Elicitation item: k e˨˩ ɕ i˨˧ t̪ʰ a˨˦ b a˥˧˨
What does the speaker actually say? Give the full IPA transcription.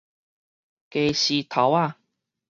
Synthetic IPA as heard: k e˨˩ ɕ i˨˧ t̪ʰ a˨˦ w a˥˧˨